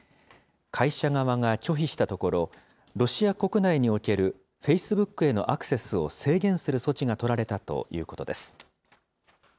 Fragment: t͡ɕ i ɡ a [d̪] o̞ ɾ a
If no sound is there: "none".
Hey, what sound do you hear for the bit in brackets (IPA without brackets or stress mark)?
t̪